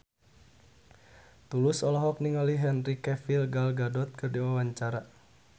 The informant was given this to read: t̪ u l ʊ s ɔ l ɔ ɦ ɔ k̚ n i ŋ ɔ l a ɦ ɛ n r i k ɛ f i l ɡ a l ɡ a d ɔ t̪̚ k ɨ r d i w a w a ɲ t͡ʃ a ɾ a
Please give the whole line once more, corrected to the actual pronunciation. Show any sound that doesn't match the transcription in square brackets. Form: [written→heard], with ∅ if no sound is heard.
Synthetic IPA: t̪ u l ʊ s ɔ l ɔ ɦ ɔ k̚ n i ŋ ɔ l [a→i] ɦ ɛ n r i k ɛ f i l ɡ a l ɡ a d ɔ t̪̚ k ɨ r d i w a w a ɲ t͡ʃ a ɾ a